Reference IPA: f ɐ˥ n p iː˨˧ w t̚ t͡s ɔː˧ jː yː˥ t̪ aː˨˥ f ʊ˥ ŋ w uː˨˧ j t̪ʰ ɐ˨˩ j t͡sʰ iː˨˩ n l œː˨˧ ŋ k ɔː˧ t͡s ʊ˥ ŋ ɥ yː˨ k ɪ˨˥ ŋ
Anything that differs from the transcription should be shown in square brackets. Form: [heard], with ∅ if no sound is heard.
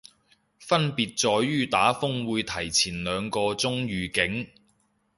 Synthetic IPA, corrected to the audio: f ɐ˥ n p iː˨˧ [∅] t̚ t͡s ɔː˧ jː yː˥ t̪ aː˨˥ f ʊ˥ ŋ w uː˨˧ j t̪ʰ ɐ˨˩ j t͡sʰ iː˨˩ n l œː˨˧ ŋ k ɔː˧ t͡s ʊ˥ ŋ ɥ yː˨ k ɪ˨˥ ŋ